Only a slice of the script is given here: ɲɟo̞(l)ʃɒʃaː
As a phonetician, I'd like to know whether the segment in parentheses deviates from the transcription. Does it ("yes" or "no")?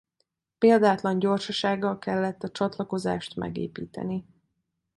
yes